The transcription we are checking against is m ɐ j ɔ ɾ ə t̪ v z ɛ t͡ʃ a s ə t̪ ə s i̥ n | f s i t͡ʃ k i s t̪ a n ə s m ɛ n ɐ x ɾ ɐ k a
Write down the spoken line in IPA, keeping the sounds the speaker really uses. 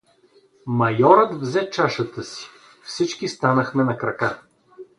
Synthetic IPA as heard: m ɐ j ɔ ɾ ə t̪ v z ɛ t͡ʃ a ʃ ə t̪ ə s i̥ | f s i t͡ʃ k i s t̪ a n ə x m ɛ n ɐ k ɾ ɐ k a

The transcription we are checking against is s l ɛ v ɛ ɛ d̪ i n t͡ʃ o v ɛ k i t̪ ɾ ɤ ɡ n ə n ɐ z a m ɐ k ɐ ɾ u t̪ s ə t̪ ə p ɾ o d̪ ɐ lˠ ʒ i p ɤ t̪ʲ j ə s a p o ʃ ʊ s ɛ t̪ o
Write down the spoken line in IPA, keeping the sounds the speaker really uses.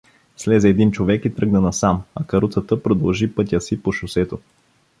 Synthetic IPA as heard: s l ɛ z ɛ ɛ d̪ i n t͡ʃ o v ɛ k i t̪ ɾ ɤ ɡ n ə n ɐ s a m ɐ k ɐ ɾ u t̪ s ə t̪ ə p ɾ o d̪ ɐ lˠ ʒ i p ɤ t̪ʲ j ə s i p o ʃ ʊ s ɛ t̪ o

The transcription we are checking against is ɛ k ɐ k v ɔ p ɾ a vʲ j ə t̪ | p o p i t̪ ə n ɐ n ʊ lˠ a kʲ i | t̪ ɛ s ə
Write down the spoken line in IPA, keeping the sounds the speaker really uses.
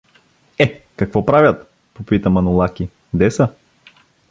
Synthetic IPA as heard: ɛ k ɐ k v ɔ p ɾ a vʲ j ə t̪ | p o p i t̪ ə m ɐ n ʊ lˠ a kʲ i | d̪ ɛ s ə

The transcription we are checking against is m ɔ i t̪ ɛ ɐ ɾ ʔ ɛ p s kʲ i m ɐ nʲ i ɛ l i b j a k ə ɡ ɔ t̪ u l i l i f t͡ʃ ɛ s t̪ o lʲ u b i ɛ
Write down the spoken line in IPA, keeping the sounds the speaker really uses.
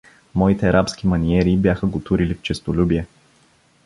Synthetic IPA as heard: m ɔ i t̪ ɛ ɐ ɾ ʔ a p s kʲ i m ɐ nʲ i ɛ ɾ i b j a x ə ɡ o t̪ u ɾ i l i f t͡ʃ ɛ s t̪ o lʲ u b i ɛ

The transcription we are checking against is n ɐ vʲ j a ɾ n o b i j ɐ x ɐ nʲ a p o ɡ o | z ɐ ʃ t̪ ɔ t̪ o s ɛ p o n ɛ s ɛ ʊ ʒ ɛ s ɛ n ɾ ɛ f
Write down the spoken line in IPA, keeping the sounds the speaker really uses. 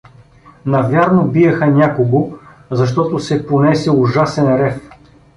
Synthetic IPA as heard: n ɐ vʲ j a ɾ n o b i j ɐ x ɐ nʲ a k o ɡ o | z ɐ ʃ t̪ ɔ t̪ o s ɛ p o n ɛ s ɛ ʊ ʒ a s ɛ n ɾ ɛ f

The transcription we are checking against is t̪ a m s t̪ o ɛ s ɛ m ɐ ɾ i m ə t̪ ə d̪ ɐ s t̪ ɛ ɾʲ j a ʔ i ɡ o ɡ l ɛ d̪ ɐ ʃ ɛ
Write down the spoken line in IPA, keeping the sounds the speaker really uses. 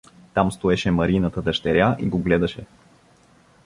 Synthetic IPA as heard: t̪ a m s t̪ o ɛ ʃ ɛ m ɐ ɾ i n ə t̪ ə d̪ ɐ ʃ t̪ ɛ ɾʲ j a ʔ i ɡ o ɡ l ɛ d̪ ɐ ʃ ɛ

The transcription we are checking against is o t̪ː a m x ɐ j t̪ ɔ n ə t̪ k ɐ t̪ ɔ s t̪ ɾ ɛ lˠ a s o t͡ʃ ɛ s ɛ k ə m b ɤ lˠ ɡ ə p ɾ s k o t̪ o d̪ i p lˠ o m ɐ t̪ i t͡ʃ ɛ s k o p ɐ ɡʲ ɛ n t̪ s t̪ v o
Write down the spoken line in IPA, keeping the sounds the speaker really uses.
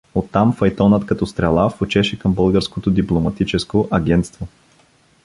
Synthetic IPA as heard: o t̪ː a m f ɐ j t̪ ɔ n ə t̪ k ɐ t̪ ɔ s t̪ ɾ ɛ lˠ a f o t͡ʃ ɛ ʃ ɛ k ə m b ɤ lˠ ɡ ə ɾ s k o t̪ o d̪ i p lˠ o m ɐ t̪ i t͡ʃ ɛ s k o ʔ ɐ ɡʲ ɛ n t̪ s t̪ v o

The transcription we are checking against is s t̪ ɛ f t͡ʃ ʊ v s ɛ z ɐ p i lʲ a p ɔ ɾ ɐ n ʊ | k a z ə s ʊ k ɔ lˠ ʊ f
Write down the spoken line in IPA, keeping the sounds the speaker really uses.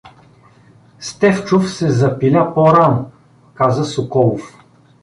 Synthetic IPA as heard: s t̪ ɛ f t͡ʃ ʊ f s ɛ z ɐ p i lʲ a p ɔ ɾ a n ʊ | k a z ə s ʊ k ɔ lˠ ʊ f

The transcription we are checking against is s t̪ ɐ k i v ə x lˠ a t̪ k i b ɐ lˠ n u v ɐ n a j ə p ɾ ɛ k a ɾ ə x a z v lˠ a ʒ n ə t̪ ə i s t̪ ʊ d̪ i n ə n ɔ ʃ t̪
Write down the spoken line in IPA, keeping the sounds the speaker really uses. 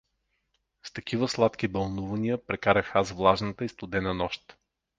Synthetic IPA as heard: s t̪ ɐ k i v ə s lˠ a t̪ k i b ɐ lˠ n u v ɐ n i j ə p ɾ ɛ k a ɾ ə x a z v lˠ a ʒ n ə t̪ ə i s t̪ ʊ d̪ ɛ n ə n ɔ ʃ t̪

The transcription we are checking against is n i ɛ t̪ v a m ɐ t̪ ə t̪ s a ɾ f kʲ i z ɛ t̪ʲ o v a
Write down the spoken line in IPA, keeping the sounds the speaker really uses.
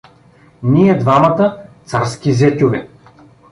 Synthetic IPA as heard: n i ɛ d̪ v a m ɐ t̪ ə t̪ s a ɾ s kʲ i z ɛ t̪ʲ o v ɛ

